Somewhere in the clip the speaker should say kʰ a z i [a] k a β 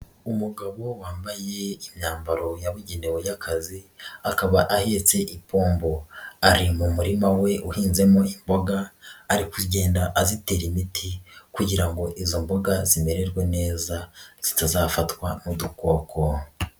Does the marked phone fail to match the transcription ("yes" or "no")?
no